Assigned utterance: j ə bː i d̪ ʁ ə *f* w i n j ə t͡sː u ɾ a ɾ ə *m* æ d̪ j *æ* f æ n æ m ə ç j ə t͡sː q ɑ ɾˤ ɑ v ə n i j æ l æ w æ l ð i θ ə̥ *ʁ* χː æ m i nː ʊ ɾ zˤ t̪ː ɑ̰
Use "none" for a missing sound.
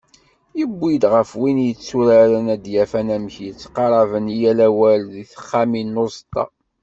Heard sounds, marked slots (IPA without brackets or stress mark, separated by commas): f, n, æ, none